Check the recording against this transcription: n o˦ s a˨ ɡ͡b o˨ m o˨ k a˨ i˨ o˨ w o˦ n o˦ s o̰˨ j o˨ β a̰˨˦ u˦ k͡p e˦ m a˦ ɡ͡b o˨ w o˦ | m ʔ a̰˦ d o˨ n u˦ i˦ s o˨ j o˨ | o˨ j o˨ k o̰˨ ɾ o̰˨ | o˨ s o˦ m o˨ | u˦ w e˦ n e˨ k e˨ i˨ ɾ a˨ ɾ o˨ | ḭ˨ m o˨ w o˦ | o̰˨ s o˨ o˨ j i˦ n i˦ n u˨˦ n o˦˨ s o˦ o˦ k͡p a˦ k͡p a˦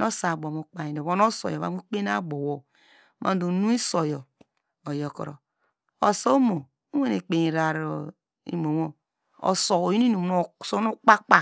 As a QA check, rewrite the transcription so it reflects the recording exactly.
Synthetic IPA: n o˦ s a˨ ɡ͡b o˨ m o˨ k͡p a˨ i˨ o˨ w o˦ n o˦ s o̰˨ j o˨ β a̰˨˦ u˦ k͡p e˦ n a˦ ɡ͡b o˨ w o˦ | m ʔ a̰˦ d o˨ n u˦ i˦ s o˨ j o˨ | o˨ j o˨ k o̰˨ ɾ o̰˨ | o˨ s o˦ m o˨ | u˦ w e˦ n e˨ k͡p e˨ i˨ ɾ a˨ ɾ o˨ | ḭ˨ m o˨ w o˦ | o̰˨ s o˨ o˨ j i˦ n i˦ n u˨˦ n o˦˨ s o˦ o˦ k͡p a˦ k͡p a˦